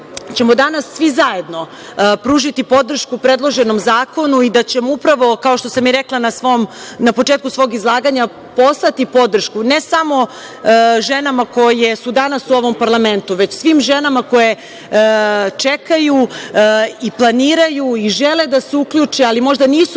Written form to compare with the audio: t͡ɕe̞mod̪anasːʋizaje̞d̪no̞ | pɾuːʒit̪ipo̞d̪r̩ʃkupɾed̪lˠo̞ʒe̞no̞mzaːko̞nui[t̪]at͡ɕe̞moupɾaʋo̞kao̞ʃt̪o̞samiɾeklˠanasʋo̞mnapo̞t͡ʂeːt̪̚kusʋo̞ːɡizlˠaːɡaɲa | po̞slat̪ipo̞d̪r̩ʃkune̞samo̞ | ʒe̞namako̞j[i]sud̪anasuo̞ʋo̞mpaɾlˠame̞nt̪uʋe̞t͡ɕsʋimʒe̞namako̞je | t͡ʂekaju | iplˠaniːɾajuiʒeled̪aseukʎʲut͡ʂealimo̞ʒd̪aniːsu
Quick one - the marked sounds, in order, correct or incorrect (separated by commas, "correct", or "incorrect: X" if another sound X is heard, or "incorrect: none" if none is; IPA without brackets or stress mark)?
incorrect: d̪, incorrect: e